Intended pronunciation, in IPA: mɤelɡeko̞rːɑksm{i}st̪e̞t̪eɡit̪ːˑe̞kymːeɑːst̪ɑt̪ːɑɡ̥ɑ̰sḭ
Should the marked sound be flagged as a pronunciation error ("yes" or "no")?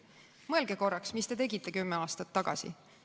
no